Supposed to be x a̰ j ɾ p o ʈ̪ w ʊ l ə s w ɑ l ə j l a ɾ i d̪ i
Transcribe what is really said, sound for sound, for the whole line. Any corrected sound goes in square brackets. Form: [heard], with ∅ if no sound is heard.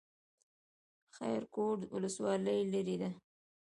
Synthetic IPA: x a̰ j ɾ [k] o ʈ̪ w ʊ l ə s w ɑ l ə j l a ɾ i d̪ [a]